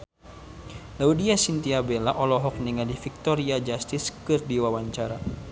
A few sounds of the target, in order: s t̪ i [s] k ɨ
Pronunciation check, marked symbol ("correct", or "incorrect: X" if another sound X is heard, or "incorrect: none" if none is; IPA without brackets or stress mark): correct